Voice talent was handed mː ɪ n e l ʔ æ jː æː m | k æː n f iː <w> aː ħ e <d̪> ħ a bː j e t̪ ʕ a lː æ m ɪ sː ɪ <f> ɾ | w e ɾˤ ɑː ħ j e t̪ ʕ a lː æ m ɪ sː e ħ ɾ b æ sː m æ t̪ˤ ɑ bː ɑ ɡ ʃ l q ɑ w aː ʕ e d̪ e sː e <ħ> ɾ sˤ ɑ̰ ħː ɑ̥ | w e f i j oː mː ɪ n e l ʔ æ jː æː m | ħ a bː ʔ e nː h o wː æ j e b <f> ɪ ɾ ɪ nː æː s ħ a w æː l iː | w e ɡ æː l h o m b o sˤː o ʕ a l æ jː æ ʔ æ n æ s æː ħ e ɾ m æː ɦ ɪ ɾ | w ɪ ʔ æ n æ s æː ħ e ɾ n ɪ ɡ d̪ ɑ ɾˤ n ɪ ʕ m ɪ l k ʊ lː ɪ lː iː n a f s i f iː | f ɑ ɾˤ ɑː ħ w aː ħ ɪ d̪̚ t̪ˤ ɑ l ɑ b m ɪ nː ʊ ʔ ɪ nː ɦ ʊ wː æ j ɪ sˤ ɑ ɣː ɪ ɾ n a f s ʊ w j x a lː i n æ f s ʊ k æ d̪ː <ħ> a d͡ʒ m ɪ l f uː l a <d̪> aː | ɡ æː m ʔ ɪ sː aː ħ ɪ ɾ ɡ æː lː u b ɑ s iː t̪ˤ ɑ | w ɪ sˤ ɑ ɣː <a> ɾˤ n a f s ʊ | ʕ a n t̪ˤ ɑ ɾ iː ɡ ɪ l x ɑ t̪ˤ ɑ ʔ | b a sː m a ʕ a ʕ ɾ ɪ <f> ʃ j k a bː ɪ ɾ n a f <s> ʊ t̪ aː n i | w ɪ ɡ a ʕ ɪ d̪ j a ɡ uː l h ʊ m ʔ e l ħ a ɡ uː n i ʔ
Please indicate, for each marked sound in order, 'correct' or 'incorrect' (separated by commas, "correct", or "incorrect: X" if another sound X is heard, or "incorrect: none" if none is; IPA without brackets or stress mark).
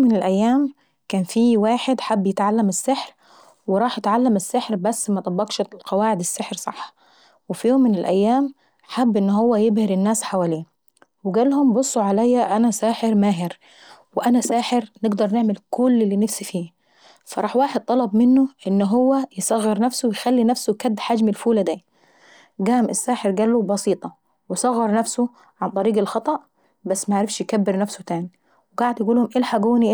correct, correct, incorrect: ħ, correct, incorrect: h, correct, correct, incorrect: ɑ, correct, correct